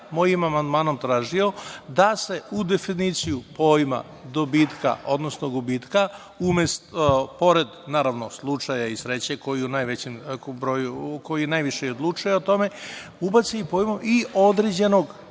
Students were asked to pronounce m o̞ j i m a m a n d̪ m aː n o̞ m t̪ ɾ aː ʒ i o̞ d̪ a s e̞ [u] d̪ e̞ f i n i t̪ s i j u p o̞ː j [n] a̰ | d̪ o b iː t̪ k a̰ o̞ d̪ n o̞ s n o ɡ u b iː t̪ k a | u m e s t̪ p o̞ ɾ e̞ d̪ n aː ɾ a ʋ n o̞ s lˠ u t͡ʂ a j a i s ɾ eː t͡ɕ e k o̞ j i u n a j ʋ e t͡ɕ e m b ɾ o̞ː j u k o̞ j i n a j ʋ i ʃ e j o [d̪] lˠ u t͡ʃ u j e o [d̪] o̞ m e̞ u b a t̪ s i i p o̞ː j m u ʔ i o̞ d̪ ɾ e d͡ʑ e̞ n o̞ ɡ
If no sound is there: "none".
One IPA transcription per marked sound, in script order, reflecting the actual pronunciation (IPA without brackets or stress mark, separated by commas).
u, m, d̪, t̪